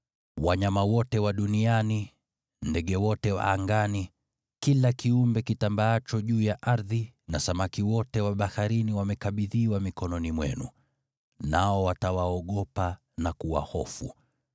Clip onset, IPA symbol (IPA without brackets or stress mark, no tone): w